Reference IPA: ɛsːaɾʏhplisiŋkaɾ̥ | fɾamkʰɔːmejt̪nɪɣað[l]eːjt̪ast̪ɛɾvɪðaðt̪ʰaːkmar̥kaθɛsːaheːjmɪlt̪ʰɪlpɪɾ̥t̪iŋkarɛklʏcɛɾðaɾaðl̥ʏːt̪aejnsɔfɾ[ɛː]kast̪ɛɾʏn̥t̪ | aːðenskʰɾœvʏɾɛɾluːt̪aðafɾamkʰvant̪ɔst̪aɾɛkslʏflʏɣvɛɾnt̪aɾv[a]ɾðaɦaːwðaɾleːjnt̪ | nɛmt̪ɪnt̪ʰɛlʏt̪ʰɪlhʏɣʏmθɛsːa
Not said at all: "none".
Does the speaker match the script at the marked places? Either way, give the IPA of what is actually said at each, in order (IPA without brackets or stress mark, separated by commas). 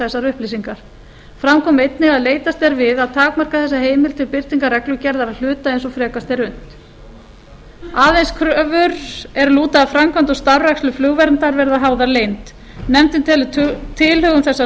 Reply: l, ɛː, ɛ